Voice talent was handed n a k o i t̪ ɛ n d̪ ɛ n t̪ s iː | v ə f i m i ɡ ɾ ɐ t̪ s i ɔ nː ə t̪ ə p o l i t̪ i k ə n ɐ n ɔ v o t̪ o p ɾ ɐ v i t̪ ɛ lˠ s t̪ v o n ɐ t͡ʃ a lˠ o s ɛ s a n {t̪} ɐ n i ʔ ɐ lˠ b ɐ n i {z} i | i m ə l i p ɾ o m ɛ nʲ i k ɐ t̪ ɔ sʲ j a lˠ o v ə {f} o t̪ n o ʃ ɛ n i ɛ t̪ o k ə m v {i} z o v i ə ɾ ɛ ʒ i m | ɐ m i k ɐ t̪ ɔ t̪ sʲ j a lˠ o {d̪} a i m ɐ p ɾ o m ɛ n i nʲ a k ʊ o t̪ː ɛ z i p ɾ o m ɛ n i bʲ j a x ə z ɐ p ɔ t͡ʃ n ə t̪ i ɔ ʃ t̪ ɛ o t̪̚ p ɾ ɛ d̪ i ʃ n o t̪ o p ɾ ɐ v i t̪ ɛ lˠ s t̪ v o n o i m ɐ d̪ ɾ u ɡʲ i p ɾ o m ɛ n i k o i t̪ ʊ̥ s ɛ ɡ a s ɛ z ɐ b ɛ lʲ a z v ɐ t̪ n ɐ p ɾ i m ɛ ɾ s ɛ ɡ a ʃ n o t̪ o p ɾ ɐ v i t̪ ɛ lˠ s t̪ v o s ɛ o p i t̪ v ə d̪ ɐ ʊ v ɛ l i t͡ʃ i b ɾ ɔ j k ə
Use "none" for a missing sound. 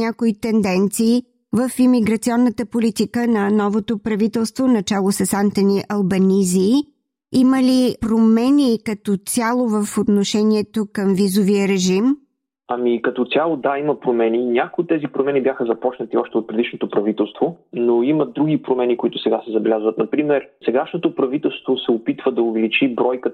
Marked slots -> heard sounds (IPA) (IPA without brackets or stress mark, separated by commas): t̪, z, f, i, d̪